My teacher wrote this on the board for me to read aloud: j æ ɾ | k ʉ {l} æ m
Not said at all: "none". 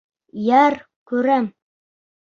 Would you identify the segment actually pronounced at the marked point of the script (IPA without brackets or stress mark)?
ɾ